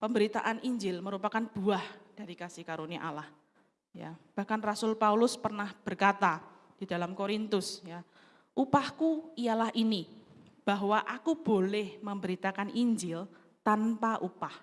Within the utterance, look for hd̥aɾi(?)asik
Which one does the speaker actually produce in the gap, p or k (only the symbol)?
k